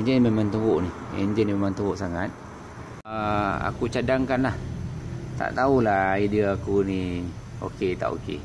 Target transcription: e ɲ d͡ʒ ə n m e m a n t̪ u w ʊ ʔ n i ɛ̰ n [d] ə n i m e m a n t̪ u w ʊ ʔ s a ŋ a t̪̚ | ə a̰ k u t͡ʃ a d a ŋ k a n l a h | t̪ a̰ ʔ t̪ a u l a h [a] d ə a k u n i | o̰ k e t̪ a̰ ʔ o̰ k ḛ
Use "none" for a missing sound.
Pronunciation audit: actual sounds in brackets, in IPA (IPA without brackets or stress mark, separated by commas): d͡ʒ, i